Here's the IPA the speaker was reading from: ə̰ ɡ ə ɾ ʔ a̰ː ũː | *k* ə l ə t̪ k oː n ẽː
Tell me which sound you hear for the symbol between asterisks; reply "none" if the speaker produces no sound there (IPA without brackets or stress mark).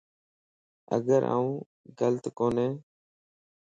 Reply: ɡ